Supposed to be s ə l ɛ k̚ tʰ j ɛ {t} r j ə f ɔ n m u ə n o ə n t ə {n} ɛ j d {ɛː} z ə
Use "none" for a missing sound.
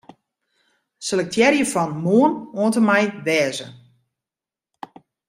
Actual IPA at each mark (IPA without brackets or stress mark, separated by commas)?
none, m, ɛː